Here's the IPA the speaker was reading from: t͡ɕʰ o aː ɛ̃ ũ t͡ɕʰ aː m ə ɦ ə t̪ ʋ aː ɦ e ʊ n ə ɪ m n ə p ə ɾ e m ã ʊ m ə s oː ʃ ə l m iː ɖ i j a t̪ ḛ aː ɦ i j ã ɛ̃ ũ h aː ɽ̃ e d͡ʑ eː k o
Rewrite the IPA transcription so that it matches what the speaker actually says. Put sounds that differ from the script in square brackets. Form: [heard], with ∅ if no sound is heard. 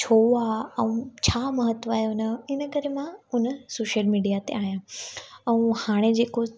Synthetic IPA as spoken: t͡ɕʰ o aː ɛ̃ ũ t͡ɕʰ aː m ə ɦ ə t̪ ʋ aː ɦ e ʊ n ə ɪ [∅] n ə [k] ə ɾ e m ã ʊ [n] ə s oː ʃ ə l m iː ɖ i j a t̪ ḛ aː ɦ i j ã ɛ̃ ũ h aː ɽ̃ e d͡ʑ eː k o

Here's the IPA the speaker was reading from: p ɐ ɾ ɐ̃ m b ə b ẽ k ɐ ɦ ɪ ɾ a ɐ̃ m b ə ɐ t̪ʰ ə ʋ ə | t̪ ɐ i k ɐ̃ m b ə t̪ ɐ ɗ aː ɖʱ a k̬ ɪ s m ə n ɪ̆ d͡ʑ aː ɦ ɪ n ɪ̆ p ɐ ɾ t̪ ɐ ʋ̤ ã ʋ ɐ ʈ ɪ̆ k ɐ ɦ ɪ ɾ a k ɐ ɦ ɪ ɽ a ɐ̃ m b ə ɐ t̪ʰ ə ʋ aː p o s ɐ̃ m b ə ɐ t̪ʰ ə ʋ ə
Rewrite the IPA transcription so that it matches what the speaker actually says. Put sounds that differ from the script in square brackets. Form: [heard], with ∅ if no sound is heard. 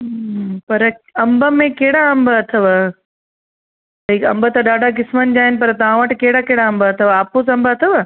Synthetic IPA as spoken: p ɐ ɾ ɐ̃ m b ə [m] ẽ k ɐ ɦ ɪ [ɽ] a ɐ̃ m b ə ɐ t̪ʰ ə ʋ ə | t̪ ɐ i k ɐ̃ m b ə t̪ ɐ ɗ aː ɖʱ a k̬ ɪ s m ə n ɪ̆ d͡ʑ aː ɦ ɪ n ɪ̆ p ɐ ɾ t̪ ɐ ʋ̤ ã ʋ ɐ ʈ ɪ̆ k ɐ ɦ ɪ [ɽ] a k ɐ ɦ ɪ ɽ a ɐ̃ m b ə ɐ t̪ʰ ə ʋ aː p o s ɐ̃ m b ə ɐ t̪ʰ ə ʋ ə

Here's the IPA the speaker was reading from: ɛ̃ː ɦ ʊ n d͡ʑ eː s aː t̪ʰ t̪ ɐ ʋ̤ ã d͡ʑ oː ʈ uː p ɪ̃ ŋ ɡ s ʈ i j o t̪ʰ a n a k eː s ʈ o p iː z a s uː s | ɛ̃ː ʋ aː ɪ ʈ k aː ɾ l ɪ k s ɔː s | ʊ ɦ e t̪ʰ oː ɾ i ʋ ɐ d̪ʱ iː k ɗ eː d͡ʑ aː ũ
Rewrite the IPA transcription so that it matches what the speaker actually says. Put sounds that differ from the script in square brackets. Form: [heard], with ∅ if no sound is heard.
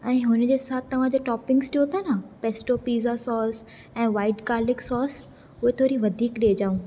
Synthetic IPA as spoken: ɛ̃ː ɦ ʊ n d͡ʑ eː s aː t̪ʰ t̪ ɐ ʋ̤ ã d͡ʑ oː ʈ [ɔː] p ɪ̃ ŋ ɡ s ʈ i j o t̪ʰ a n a [p] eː s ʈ o p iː z a s [ɔː] s | ɛ̃ː ʋ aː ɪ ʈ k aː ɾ l ɪ k s ɔː s | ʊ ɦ e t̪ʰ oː ɾ i ʋ ɐ d̪ʱ iː k ɗ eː d͡ʑ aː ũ

